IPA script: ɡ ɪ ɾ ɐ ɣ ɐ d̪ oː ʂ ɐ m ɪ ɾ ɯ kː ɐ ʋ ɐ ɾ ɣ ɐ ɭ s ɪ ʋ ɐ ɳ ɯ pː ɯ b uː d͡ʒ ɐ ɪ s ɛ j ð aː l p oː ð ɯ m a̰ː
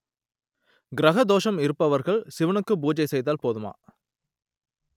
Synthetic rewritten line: ɡ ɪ ɾ ɐ ɣ ɐ d̪ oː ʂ ɐ m ɪ ɾ ɯ pː ɐ ʋ ɐ ɾ ɣ ɐ ɭ s ɪ ʋ ɐ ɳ ɯ kː ɯ b uː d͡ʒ ɐ ɪ s ɛ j ð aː l p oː ð ɯ m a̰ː